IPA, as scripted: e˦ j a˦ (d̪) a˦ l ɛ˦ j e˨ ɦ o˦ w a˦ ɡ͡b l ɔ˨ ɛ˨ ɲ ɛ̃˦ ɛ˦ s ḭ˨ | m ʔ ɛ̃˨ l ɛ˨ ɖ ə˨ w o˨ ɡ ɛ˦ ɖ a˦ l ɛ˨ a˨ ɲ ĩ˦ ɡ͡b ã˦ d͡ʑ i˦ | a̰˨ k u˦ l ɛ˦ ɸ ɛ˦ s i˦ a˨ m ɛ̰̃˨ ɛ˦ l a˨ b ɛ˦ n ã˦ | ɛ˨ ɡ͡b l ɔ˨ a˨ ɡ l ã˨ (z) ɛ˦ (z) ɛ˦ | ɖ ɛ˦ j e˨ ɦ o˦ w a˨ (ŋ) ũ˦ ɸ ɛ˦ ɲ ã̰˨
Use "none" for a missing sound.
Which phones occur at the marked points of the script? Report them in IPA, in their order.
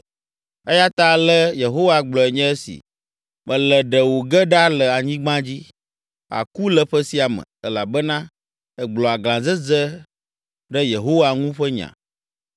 t̪, z, z, ŋ

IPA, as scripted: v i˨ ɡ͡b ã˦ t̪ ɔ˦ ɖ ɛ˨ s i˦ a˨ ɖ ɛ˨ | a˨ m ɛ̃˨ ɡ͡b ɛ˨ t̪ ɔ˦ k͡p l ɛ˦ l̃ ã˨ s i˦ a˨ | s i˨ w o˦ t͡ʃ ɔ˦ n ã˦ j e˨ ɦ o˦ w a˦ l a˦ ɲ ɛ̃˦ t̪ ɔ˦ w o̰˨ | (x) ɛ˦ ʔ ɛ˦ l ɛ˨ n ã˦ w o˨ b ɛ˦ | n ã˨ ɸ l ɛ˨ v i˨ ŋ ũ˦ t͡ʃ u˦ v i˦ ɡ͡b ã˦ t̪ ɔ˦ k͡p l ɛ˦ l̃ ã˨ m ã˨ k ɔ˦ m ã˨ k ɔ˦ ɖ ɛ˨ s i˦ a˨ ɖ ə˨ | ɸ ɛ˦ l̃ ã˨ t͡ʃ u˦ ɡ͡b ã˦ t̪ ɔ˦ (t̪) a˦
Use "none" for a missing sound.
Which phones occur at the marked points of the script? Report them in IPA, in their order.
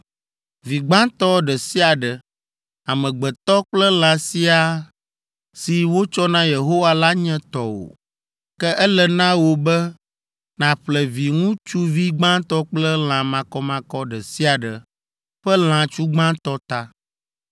k, t̪

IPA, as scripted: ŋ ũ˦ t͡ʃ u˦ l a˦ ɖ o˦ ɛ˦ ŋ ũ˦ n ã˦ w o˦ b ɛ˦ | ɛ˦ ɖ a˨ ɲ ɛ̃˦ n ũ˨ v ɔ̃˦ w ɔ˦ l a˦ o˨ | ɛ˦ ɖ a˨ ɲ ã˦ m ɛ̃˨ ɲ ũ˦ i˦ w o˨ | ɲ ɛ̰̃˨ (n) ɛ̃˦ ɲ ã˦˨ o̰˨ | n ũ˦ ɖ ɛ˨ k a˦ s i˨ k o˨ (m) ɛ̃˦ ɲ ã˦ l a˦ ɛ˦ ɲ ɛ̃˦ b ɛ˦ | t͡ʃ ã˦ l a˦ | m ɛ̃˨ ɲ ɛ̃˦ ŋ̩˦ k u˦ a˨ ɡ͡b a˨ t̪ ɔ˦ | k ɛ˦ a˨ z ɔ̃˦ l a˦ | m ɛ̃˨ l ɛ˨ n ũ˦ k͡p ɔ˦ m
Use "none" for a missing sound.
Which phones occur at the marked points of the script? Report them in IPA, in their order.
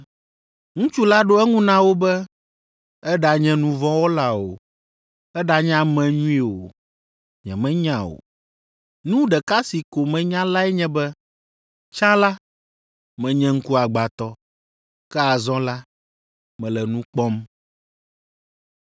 m, m

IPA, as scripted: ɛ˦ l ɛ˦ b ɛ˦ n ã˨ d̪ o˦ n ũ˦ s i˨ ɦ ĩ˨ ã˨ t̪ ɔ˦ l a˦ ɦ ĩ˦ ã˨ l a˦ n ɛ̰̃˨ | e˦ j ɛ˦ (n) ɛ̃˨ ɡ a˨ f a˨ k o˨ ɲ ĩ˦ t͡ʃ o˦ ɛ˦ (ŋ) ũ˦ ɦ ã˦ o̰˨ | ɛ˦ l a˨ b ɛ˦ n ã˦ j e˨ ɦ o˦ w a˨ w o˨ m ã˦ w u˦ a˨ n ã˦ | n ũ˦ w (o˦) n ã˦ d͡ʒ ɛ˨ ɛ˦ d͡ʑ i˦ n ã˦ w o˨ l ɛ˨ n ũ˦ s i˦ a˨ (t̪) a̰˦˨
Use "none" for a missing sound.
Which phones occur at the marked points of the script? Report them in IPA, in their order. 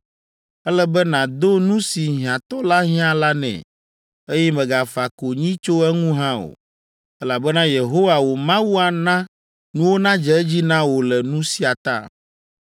m, ŋ, o˦, t̪

